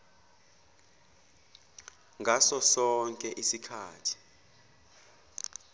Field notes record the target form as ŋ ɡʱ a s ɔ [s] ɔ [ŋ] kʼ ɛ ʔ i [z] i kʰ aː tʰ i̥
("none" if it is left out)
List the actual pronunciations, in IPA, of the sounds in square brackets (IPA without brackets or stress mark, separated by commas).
s, ŋ, s